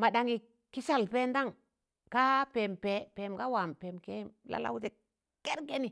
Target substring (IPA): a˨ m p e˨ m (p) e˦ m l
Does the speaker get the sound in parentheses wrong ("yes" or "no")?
yes